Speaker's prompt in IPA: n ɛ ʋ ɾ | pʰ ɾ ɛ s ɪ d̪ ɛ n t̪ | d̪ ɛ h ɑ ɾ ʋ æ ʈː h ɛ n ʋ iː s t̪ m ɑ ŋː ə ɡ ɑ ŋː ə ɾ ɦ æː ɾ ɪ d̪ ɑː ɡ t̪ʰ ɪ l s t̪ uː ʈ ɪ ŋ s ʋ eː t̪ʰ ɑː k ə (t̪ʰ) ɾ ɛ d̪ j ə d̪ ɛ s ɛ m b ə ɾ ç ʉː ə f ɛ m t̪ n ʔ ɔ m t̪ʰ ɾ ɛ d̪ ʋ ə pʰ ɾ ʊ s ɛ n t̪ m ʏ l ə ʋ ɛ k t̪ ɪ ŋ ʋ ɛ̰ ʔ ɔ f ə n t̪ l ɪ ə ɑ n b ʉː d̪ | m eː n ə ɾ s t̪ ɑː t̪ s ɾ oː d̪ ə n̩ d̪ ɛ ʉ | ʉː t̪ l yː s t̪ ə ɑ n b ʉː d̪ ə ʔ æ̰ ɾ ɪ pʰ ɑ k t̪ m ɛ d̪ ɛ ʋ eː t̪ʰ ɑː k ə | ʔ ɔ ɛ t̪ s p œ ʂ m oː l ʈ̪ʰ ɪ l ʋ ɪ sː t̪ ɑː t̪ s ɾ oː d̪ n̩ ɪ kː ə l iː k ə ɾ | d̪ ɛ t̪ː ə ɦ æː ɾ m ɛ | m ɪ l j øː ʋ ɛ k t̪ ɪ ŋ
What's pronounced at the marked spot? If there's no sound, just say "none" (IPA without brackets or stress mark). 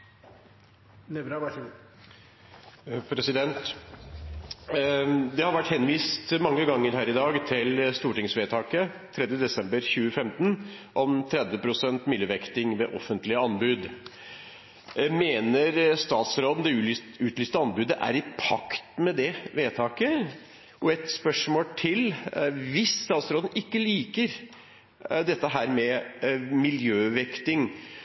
t̪ʰ